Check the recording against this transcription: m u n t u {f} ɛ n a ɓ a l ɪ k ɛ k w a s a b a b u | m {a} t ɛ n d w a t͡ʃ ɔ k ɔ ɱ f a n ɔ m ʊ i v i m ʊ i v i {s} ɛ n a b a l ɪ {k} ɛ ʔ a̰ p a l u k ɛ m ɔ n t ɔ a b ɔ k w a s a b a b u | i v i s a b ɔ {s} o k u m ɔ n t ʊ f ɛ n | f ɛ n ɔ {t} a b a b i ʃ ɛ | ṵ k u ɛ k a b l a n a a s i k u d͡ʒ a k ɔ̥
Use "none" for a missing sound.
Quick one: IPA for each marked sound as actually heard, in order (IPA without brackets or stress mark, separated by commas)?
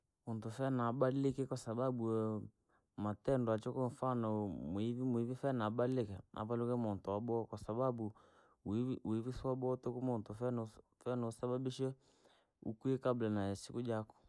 f, a, f, k, t, s